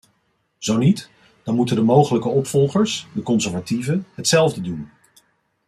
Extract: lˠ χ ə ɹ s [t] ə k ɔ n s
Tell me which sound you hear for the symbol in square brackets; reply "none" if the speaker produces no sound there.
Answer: d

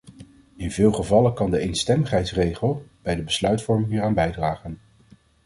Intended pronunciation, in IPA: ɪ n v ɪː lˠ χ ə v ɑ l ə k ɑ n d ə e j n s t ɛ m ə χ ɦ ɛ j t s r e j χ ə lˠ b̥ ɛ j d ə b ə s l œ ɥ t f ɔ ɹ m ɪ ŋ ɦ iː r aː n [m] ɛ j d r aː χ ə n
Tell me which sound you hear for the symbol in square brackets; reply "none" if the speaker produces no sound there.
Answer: b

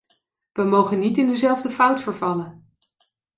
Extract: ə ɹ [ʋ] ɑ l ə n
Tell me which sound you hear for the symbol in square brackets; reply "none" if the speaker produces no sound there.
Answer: v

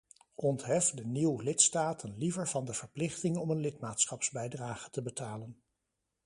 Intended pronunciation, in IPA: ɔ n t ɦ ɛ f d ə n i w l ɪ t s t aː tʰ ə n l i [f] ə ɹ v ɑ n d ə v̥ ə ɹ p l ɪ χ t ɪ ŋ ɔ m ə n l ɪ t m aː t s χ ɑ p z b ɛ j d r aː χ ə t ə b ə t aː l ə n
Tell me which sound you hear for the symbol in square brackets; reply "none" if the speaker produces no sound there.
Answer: v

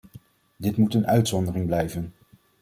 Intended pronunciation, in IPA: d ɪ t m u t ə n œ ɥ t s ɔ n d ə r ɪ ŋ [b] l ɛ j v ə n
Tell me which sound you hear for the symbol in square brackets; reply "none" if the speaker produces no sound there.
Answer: b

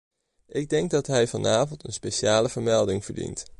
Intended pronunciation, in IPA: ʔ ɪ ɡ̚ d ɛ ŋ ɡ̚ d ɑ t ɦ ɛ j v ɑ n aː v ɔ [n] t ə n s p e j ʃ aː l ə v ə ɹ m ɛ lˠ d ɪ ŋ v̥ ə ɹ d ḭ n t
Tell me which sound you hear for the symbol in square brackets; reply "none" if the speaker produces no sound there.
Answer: n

